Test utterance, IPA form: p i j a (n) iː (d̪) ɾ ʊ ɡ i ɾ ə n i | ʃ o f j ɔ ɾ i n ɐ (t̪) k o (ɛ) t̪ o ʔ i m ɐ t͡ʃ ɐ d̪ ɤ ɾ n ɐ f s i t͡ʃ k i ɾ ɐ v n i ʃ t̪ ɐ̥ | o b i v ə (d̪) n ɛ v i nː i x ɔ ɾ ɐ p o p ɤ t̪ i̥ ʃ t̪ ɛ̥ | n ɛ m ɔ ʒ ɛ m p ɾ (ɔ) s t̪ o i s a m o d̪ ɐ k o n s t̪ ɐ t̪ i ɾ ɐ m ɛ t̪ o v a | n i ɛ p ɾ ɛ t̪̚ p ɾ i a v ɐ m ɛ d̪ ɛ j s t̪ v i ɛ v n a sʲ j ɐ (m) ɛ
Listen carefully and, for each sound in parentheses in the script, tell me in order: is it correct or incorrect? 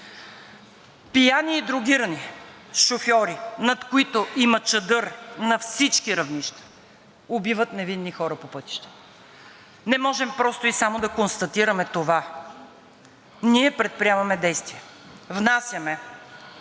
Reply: correct, correct, correct, incorrect, incorrect, correct, correct

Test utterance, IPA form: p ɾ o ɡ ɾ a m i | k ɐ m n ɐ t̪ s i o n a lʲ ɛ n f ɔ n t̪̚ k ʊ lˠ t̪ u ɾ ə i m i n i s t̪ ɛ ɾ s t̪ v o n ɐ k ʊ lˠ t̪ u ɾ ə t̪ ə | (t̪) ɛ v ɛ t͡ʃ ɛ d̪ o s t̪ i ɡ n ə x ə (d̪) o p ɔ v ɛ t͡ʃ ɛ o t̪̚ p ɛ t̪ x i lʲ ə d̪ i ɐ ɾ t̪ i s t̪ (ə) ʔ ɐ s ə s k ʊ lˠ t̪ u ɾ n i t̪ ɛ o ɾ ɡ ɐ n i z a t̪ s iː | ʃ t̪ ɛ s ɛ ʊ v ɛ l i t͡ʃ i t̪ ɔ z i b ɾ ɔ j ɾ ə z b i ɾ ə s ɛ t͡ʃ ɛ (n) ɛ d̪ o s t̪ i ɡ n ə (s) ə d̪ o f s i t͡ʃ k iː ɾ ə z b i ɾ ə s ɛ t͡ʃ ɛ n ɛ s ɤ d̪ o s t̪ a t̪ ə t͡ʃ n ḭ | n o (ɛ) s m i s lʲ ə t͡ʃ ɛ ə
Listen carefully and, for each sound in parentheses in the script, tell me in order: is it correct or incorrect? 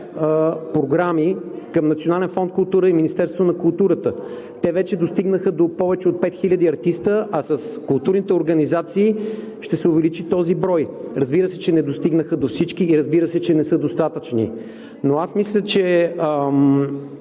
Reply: correct, correct, correct, correct, incorrect, incorrect

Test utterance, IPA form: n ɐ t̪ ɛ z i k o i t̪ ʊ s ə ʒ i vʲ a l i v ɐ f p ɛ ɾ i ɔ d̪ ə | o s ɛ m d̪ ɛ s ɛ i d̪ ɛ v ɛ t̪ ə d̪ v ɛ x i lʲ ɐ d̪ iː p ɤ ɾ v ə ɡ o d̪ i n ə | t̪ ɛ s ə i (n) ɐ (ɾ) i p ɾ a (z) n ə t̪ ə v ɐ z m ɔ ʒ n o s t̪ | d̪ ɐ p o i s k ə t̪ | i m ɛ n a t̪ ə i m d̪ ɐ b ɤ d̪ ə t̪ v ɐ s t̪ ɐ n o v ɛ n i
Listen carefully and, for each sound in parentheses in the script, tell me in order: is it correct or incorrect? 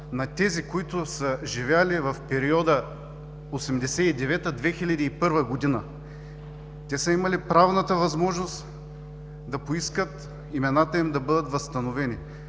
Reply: incorrect, incorrect, incorrect

